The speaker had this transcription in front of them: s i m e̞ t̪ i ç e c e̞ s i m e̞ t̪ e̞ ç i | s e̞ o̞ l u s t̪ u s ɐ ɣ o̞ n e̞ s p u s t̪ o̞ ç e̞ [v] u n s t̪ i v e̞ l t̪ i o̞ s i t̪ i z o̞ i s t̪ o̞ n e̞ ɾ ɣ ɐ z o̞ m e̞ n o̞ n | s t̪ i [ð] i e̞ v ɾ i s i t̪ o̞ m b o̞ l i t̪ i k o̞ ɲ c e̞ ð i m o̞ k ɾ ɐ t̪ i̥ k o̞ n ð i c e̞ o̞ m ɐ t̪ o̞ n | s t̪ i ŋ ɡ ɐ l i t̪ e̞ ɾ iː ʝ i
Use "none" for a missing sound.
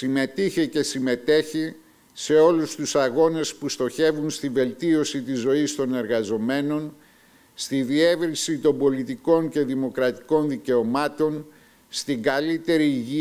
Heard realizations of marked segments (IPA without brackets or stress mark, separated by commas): v, ð